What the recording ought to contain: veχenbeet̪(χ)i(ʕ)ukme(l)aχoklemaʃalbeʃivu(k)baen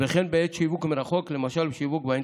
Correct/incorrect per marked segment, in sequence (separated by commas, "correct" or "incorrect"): incorrect, incorrect, incorrect, correct